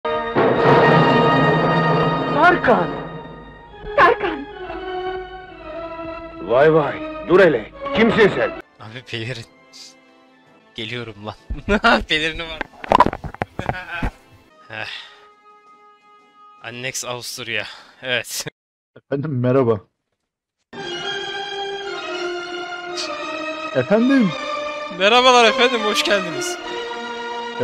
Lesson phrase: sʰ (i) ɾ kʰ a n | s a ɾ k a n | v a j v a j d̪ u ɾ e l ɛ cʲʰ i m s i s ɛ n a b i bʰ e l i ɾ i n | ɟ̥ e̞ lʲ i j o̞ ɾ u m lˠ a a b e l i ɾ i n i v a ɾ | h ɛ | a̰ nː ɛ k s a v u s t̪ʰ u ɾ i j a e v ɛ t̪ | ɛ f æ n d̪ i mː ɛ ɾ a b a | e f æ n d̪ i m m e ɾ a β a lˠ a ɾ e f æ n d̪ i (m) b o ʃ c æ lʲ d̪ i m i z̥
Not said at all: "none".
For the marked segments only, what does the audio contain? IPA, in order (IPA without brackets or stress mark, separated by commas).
a, m